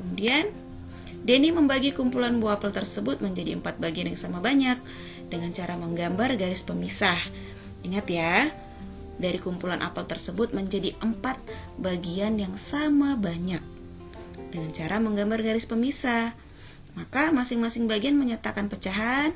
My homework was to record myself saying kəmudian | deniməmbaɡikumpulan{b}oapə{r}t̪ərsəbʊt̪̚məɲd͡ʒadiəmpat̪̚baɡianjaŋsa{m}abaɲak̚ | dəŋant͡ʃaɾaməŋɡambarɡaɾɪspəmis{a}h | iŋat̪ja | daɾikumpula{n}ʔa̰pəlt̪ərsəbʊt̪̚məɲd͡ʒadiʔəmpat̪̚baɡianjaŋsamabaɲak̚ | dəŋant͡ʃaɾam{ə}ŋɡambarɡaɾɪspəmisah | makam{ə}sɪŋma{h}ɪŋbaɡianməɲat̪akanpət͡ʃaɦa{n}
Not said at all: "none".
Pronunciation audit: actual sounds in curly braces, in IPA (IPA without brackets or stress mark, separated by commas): b, l, m, a, n, ə, a, s, n